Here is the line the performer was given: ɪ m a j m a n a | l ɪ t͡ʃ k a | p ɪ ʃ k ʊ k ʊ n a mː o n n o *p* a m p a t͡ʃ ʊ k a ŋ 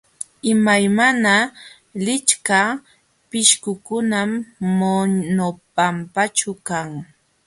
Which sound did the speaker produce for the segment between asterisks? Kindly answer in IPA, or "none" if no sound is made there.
p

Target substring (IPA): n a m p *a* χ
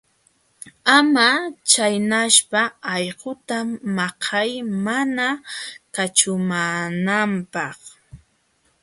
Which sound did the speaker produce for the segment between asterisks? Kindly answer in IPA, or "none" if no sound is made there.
ɑ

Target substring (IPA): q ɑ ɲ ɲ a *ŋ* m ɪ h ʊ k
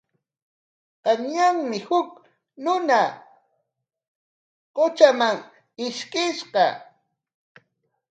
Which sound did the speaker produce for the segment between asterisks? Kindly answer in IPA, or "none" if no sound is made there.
ŋ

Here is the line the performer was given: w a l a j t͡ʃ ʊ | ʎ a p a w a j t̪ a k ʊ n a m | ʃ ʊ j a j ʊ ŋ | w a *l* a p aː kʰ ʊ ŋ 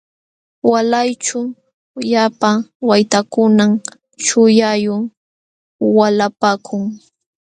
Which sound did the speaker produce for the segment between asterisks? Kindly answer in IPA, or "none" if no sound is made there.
l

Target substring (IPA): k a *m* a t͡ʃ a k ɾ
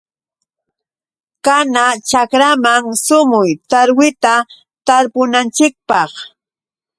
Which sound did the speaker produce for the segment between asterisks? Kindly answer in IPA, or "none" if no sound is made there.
n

